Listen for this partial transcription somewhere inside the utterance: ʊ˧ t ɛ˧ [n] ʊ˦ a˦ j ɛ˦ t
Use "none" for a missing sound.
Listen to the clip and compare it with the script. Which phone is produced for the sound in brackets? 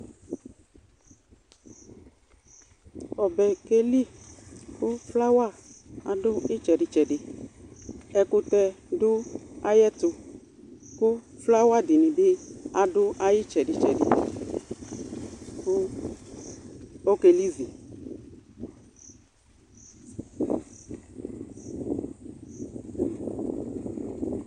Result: d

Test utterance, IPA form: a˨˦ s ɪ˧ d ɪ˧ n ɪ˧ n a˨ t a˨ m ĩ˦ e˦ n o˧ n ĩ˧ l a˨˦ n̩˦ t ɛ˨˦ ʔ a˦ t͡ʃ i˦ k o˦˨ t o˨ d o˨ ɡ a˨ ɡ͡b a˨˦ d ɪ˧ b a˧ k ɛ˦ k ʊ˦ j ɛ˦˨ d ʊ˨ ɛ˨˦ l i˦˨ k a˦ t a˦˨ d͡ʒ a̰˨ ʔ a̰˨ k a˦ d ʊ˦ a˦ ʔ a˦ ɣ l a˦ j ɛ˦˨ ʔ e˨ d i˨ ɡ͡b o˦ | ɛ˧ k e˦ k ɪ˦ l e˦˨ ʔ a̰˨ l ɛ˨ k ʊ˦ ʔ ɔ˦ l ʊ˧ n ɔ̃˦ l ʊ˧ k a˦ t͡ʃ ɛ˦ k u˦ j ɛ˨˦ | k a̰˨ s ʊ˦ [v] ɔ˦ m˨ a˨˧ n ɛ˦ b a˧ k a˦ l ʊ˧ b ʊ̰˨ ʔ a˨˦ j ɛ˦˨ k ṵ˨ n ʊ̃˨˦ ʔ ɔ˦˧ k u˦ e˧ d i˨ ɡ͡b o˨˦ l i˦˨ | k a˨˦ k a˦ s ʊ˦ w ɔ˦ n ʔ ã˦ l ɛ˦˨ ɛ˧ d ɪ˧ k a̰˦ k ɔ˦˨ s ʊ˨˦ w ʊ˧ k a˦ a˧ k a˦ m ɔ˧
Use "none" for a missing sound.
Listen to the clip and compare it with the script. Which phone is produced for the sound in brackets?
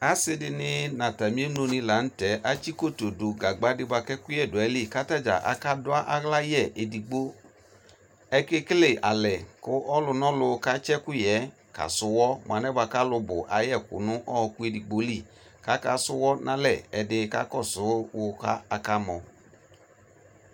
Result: w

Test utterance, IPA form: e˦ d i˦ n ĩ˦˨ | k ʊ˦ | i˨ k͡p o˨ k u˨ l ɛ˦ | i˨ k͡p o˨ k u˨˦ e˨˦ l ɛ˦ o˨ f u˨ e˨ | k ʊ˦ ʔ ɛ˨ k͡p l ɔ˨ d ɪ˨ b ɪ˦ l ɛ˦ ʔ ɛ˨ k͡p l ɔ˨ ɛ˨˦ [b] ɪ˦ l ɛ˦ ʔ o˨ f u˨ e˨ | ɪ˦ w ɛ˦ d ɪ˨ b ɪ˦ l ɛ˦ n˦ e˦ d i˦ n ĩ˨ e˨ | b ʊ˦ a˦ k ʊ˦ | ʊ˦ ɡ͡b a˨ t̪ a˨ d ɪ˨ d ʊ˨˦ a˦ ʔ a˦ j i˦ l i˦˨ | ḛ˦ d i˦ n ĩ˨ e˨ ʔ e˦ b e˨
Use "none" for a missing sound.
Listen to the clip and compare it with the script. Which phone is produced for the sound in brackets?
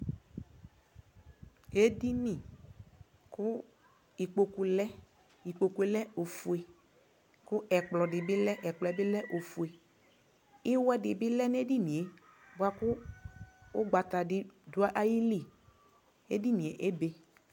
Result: b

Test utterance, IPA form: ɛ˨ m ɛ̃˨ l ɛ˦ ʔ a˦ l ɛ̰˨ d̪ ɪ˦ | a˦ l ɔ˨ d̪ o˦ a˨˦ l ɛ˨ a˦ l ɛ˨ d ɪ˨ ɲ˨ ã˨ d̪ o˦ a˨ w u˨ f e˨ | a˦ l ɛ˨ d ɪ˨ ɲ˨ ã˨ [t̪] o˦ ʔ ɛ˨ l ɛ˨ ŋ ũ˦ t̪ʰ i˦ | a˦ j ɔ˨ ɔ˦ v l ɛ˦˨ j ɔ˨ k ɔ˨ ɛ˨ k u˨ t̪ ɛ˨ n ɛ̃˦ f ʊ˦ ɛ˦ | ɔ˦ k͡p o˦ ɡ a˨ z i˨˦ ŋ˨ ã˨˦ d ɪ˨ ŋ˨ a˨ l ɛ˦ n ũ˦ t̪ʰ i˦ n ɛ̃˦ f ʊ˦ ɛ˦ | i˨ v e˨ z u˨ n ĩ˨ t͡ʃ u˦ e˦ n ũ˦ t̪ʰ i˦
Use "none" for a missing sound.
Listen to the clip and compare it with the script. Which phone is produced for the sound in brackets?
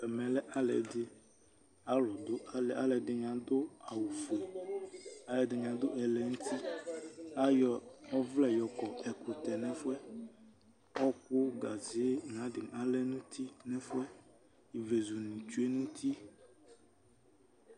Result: d̪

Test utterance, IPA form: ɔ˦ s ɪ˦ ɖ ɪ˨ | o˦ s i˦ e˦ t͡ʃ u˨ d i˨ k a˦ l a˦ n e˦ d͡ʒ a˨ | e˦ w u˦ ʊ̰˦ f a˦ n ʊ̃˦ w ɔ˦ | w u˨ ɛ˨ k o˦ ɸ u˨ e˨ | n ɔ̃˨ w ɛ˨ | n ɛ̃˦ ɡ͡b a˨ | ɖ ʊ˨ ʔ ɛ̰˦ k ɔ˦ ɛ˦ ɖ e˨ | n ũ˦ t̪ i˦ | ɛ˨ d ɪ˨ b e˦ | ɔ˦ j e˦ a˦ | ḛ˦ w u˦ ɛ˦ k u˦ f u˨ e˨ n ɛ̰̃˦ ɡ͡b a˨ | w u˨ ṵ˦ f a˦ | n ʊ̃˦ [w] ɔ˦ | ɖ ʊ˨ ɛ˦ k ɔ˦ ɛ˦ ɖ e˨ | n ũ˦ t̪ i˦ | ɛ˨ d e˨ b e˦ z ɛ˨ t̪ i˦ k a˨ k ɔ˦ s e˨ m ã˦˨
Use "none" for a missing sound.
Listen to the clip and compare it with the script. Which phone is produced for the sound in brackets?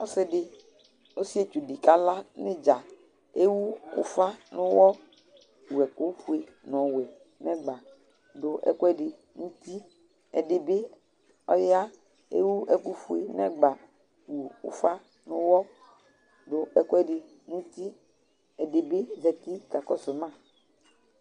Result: w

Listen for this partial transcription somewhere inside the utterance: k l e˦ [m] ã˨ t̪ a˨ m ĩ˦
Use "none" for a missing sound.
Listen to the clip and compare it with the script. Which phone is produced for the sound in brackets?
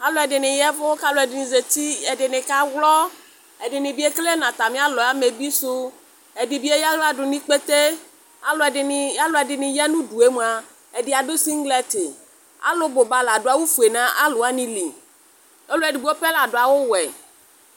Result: n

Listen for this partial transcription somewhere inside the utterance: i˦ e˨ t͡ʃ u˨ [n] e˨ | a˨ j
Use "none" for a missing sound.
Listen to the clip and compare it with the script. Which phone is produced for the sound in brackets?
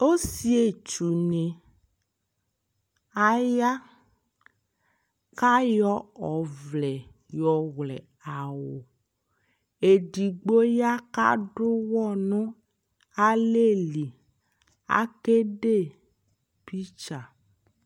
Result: n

